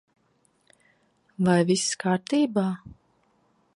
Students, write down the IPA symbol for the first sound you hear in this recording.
v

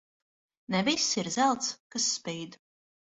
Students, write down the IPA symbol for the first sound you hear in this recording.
n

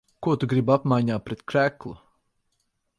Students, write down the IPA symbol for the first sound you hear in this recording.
k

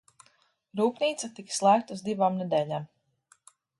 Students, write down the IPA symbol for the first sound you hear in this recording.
ɾ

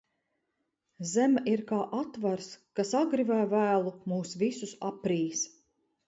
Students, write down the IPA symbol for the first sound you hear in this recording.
z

